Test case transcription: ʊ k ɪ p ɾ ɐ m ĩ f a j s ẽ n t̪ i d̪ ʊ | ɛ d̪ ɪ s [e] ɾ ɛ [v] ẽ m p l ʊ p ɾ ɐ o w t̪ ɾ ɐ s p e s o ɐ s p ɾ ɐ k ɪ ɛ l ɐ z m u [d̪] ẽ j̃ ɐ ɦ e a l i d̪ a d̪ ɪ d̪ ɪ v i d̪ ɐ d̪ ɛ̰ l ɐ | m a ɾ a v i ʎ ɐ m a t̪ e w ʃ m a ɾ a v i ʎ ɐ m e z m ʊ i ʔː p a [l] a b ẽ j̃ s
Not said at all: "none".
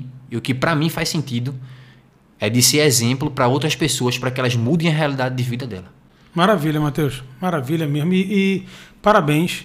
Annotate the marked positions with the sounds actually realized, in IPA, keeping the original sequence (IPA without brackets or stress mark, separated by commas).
e, z, d̪, ɾ